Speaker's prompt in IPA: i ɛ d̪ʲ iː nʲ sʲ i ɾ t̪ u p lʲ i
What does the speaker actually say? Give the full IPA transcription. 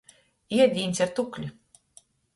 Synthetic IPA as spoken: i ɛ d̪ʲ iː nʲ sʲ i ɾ t̪ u k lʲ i